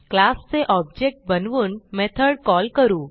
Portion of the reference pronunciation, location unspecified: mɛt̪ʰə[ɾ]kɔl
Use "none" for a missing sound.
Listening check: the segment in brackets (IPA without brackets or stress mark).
ɽ